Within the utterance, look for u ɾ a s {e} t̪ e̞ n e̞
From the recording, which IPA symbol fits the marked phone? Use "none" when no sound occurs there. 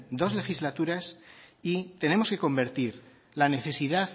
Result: i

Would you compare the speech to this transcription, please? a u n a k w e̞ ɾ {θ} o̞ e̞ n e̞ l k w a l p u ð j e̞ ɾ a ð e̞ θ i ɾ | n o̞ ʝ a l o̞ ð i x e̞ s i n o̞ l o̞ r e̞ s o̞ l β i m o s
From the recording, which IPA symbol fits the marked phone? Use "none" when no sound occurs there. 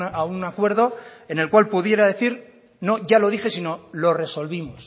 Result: ð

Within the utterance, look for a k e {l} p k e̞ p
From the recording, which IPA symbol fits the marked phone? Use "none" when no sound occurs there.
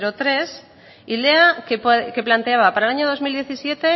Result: none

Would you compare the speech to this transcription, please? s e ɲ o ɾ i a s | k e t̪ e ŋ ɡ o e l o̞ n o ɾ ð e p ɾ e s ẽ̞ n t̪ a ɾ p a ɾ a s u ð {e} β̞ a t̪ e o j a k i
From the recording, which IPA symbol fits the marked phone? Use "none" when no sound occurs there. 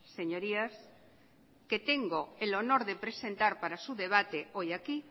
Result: e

